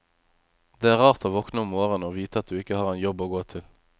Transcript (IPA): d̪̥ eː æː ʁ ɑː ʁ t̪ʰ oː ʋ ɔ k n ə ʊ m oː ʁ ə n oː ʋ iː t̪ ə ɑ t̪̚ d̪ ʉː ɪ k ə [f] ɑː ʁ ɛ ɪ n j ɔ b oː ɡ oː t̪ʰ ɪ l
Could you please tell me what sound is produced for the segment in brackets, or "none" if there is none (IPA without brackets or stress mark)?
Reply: h